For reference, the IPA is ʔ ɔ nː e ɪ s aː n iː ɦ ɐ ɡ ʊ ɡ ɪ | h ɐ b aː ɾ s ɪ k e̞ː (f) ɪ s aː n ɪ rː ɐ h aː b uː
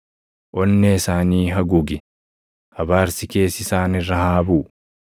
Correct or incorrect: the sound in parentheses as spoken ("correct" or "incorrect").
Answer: incorrect